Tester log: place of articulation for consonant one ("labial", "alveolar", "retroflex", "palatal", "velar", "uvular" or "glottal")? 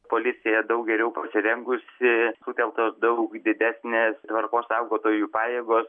labial